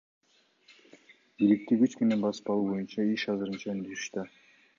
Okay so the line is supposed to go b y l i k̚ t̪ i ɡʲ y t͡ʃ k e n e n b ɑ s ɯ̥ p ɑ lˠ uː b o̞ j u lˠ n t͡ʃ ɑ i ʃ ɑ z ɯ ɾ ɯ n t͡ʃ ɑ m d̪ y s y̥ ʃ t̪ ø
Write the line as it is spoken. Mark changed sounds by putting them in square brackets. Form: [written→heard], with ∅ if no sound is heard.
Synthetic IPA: b [y→i] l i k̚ t̪ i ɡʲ y t͡ʃ k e n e n b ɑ s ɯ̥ p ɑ lˠ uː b o̞ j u [lˠ→∅] n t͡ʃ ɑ i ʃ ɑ z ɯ ɾ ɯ n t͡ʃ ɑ [m→n] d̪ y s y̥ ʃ t̪ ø